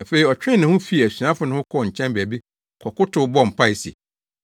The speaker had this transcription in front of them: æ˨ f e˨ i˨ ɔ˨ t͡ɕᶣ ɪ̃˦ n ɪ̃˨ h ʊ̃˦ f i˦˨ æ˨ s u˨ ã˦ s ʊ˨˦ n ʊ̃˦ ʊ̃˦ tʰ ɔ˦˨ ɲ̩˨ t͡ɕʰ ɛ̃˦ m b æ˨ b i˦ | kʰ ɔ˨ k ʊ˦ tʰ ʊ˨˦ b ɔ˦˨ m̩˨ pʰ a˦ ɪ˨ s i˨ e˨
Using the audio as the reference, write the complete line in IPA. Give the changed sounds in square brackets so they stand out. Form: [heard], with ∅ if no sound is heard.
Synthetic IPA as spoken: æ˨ f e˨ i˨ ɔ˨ t͡ɕᶣ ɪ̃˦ n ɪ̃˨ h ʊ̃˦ f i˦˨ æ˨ s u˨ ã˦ [f] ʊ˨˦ n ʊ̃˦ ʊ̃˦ [kʰ] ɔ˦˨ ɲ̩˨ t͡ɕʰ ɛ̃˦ m b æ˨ b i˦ | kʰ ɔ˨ k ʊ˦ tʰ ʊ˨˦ b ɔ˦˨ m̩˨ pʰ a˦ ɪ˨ s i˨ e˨